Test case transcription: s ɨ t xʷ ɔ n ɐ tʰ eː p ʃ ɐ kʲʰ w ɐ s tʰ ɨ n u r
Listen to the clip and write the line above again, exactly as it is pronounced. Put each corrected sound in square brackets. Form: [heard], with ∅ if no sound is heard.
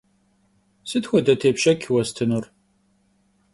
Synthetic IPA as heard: s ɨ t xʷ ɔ [d] ɐ tʰ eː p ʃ ɐ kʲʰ w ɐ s tʰ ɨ n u r